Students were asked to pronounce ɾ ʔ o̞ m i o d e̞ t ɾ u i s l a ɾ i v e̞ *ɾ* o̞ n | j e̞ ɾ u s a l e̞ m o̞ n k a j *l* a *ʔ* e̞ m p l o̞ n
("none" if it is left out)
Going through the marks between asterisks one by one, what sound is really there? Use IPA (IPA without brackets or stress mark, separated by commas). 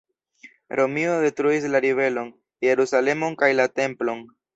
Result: l, l, t